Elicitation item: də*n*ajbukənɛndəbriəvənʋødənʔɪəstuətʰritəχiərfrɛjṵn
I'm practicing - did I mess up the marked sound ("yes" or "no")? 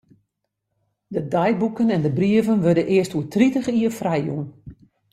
yes